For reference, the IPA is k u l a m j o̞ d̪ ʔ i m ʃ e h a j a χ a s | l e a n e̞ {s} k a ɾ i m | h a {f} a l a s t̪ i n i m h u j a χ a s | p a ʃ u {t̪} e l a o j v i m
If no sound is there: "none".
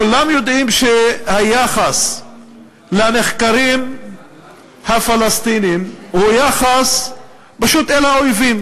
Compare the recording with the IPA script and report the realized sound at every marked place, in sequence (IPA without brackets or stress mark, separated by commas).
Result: χ, f, t̪